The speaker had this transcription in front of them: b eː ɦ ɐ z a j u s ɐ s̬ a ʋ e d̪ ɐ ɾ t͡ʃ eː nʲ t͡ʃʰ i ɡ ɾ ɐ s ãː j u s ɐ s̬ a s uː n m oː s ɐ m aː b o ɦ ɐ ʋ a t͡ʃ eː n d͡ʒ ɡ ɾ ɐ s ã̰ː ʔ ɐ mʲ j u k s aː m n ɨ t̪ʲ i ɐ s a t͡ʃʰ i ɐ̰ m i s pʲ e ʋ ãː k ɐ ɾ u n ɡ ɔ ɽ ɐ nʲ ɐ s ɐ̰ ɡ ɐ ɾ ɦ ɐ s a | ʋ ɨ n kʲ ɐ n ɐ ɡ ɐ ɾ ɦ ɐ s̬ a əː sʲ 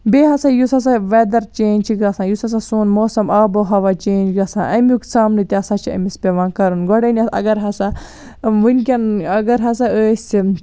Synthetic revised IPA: b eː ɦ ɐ s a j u s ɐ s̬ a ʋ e d̪ ɐ ɾ t͡ʃ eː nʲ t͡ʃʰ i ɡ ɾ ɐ s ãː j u s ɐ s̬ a s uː n m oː s ɐ m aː b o ɦ ɐ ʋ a t͡ʃ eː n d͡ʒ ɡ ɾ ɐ s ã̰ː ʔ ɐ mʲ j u k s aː m n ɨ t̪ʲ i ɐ s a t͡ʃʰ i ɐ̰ m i s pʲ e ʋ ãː k ɐ ɾ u n ɡ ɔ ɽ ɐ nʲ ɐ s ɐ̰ ɡ ɐ ɾ ɦ ɐ s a | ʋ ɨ n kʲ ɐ n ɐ ɡ ɐ ɾ ɦ ɐ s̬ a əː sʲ